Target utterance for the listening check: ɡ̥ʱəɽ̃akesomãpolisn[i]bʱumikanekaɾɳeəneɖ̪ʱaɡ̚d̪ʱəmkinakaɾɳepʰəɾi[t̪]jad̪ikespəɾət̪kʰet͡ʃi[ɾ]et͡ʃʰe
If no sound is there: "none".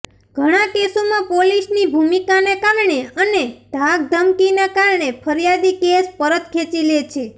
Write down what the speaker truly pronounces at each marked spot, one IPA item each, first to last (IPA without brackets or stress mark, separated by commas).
i, none, l